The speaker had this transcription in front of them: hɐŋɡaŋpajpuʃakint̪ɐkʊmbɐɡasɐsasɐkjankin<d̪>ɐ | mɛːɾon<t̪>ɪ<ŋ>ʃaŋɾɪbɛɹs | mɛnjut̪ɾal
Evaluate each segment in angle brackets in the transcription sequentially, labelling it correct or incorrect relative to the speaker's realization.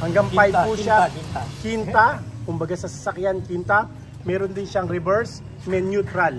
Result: incorrect, incorrect, incorrect

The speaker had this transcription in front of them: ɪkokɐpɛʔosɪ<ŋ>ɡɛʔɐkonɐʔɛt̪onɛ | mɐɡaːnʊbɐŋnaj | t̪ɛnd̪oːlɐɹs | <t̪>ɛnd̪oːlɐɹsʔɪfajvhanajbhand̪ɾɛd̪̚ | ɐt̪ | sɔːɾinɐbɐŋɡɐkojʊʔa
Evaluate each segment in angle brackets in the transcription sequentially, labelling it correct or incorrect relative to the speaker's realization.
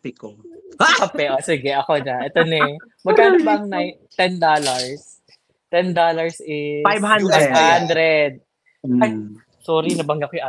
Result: incorrect, correct

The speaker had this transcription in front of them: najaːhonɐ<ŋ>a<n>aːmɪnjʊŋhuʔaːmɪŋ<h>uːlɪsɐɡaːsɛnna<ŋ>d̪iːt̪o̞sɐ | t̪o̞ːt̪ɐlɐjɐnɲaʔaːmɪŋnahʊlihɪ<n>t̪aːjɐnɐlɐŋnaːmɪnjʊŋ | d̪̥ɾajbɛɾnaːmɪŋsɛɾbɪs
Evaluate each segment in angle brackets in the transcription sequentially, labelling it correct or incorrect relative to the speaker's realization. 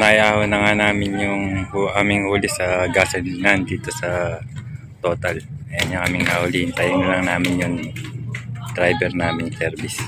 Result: correct, correct, correct, incorrect, correct

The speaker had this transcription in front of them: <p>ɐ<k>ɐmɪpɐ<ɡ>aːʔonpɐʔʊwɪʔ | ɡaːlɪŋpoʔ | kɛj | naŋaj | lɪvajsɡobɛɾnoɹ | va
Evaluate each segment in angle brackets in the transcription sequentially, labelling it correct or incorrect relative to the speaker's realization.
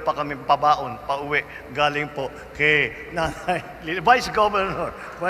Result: correct, correct, incorrect

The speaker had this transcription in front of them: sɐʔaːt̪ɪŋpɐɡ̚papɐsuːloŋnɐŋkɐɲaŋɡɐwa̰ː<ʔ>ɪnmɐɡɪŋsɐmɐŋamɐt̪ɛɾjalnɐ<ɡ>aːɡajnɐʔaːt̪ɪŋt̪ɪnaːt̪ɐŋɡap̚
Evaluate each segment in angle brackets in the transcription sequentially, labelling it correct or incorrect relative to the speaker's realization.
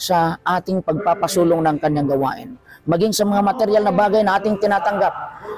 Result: correct, incorrect

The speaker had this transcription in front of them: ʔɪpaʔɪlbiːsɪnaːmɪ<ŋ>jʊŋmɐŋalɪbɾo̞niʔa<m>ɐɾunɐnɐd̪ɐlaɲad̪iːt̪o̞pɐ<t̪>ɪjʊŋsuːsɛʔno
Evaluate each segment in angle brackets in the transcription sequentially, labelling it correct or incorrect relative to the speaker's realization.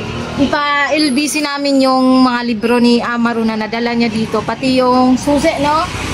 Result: incorrect, correct, correct

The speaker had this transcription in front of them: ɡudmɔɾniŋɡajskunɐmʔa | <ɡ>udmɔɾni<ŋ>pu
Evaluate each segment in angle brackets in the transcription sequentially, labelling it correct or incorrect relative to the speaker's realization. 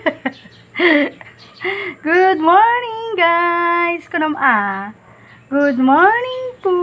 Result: correct, correct

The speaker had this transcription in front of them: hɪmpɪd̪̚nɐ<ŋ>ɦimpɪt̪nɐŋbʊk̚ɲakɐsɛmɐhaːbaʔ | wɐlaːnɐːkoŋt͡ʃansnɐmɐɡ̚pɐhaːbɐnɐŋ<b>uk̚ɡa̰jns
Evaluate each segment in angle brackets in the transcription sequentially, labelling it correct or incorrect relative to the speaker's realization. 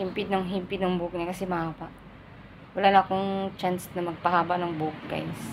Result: correct, correct

